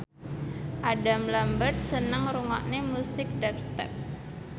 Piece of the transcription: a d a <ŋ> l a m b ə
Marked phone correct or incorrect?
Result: incorrect